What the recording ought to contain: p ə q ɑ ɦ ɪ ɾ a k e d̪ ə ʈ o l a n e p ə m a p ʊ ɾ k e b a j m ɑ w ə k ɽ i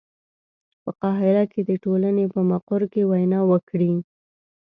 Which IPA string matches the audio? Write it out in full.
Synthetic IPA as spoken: p ə q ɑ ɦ ɪ ɾ a k e d̪ ə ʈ o l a n e p ə m a q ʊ ɾ k e w a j n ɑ w ə k ɽ i